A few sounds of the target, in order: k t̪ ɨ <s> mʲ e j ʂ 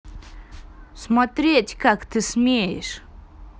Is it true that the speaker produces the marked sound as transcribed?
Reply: yes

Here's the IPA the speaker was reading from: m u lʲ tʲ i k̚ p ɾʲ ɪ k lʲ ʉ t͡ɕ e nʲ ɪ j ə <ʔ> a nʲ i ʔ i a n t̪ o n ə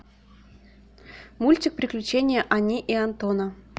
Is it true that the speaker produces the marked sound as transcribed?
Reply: yes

